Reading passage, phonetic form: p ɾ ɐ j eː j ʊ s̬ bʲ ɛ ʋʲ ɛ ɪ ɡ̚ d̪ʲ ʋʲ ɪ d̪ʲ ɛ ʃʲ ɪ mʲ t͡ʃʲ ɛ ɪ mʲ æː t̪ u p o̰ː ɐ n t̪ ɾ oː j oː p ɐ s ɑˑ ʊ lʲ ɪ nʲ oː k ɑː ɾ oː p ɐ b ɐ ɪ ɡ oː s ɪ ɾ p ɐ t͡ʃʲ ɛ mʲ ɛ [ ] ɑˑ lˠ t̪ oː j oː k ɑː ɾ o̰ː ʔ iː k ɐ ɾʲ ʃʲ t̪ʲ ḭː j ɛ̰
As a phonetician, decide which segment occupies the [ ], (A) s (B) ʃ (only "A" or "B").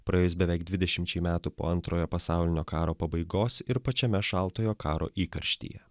B